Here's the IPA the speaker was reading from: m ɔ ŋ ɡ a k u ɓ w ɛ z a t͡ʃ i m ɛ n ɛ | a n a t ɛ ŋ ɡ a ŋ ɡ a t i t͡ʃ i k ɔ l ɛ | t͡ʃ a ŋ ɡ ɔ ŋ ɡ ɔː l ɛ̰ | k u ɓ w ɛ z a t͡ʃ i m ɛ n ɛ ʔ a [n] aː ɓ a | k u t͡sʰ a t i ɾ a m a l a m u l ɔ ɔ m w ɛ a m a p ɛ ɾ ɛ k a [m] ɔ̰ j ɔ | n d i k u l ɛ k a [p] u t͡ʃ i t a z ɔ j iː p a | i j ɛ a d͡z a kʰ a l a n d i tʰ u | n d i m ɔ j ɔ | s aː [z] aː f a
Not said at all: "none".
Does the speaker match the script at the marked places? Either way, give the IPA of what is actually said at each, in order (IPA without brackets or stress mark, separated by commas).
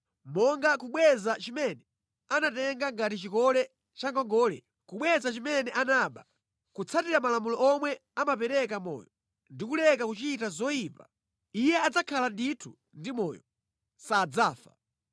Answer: n, m, k, d͡z